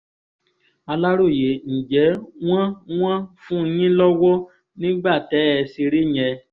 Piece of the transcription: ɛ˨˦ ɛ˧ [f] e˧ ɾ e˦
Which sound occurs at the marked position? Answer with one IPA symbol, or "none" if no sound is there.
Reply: s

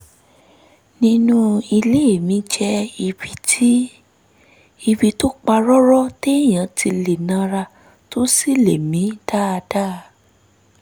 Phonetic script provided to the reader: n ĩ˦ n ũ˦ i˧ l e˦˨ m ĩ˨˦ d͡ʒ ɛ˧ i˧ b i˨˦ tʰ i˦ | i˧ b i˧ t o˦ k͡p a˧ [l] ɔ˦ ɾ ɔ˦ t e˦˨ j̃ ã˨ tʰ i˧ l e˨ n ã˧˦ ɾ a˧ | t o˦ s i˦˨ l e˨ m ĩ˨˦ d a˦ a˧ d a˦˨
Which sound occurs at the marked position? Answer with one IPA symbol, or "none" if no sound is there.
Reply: ɾ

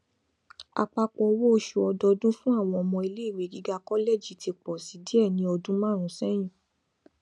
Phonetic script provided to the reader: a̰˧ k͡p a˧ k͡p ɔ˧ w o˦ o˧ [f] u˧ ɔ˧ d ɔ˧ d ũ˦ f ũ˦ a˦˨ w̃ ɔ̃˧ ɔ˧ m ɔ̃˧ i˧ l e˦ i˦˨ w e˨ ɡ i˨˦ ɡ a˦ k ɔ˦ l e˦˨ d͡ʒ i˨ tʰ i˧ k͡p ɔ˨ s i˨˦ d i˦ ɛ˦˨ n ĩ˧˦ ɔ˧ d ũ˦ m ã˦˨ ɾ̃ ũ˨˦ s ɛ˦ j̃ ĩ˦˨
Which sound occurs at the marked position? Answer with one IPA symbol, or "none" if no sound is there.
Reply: ʃ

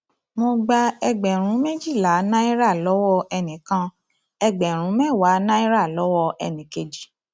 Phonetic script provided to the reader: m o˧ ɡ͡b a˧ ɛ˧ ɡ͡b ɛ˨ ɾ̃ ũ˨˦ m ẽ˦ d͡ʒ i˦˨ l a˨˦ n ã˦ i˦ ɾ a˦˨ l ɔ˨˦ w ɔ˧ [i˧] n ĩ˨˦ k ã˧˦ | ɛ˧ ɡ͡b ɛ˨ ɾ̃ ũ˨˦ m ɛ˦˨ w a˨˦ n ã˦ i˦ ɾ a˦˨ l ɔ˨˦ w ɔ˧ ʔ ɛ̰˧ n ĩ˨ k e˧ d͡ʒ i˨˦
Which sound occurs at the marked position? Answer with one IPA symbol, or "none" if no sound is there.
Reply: ɛ˧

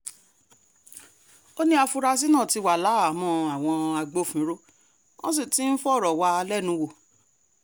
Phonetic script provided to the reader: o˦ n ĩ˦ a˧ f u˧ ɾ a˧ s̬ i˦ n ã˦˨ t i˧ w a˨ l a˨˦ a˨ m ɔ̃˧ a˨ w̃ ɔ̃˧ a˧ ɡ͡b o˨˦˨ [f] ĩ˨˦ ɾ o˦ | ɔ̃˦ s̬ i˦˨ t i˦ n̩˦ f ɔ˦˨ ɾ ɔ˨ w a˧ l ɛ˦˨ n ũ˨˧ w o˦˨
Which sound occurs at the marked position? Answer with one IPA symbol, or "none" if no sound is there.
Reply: f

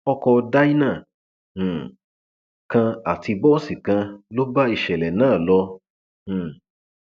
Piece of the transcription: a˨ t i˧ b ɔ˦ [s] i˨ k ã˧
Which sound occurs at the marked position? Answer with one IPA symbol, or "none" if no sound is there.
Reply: s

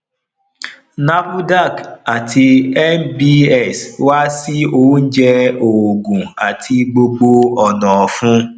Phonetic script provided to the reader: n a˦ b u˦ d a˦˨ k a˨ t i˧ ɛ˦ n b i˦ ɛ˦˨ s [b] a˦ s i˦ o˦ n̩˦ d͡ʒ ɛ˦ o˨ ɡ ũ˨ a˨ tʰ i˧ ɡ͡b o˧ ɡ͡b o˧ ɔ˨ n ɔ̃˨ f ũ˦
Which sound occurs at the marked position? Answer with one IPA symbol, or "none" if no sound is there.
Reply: w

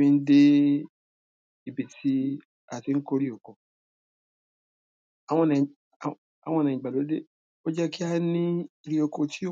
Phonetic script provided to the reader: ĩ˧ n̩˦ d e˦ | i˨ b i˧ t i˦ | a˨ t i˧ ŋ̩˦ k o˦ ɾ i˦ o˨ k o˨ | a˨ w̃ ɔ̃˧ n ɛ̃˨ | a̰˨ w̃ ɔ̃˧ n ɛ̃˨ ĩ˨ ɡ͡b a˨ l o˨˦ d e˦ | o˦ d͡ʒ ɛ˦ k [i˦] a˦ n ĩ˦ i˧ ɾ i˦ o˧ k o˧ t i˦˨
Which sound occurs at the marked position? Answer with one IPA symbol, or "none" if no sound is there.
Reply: i˦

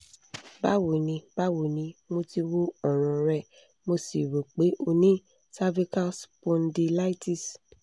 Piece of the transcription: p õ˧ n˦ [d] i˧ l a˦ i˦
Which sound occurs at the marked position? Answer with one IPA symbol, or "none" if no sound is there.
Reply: d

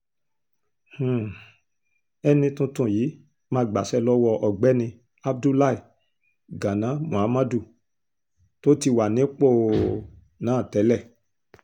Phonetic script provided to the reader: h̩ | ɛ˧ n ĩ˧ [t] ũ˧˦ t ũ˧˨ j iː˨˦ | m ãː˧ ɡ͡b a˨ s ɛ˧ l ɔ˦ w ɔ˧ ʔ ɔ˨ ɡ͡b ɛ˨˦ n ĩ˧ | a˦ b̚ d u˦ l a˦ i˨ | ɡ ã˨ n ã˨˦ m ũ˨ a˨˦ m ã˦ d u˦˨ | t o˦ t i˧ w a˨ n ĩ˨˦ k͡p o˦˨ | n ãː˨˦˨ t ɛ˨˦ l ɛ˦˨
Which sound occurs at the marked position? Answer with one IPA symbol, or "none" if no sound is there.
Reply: t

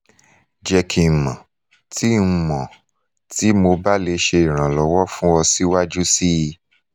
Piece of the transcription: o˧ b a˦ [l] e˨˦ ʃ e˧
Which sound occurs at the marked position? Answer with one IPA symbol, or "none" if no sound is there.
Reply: l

